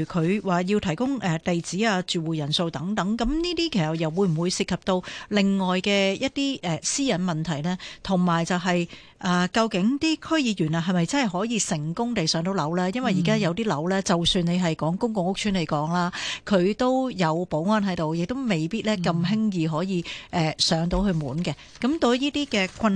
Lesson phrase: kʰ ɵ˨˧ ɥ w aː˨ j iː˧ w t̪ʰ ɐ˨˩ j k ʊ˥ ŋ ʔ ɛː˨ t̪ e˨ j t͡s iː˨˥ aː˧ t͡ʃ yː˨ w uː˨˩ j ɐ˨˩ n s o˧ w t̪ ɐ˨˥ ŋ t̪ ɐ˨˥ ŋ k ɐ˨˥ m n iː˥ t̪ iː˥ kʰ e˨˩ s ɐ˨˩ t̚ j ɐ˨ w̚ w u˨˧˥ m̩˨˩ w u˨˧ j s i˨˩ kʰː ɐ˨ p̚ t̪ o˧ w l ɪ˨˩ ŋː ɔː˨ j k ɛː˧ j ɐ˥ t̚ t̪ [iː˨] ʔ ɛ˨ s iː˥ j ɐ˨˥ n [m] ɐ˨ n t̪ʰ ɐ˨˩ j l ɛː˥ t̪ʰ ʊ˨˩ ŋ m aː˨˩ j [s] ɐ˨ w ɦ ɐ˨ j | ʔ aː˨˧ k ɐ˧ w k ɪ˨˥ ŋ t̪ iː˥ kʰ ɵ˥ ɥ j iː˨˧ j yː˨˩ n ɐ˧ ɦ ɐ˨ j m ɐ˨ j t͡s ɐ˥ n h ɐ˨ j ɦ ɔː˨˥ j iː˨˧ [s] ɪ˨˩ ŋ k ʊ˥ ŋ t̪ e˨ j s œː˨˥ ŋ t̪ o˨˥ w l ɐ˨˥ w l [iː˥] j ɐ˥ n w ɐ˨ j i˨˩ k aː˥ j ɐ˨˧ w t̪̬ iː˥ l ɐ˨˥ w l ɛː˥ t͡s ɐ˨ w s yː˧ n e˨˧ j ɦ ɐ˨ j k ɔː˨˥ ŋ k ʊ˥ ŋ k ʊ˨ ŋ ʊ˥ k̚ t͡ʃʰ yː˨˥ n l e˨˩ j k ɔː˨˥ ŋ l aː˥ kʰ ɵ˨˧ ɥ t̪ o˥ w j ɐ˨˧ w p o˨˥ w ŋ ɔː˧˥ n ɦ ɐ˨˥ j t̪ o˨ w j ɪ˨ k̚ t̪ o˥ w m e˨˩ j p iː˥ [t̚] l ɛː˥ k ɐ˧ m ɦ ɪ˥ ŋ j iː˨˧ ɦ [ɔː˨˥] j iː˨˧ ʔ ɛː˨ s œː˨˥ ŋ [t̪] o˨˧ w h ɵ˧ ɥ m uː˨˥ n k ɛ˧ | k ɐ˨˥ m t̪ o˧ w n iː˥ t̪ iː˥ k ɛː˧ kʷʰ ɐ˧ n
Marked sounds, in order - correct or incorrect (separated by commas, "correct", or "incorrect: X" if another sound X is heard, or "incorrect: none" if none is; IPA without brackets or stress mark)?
incorrect: iː˥, correct, incorrect: t͡s, correct, incorrect: aː˥, correct, correct, correct